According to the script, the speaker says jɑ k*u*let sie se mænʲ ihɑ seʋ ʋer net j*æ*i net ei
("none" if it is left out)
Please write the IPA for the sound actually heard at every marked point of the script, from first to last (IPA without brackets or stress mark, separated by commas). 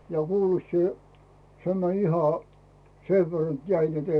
uː, æ